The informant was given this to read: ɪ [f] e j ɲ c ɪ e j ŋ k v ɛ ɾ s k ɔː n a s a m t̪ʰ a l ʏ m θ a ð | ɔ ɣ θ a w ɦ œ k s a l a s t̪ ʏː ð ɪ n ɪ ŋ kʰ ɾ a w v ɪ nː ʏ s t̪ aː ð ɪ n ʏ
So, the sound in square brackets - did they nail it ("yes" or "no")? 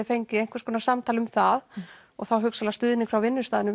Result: yes